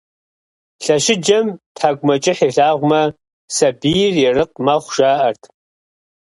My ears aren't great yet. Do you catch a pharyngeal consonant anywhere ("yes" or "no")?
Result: yes